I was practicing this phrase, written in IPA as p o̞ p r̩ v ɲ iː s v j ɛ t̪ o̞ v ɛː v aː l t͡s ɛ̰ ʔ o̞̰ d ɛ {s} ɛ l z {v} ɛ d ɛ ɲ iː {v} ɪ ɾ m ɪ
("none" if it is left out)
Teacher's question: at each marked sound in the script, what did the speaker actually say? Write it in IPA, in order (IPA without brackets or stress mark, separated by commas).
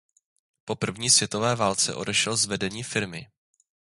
ʃ, v, f